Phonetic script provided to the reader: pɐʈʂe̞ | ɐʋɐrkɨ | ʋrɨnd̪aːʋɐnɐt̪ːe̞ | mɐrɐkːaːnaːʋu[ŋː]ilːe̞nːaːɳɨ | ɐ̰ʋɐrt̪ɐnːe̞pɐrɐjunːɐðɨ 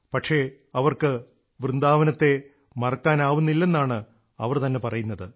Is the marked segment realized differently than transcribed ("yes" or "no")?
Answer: yes